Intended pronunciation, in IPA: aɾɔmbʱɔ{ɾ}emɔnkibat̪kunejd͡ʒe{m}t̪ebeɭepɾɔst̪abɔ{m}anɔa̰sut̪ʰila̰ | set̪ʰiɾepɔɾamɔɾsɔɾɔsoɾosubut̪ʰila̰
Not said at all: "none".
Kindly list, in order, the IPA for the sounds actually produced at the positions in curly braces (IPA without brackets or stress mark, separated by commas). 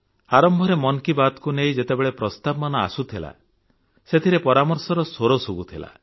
ɾ, none, m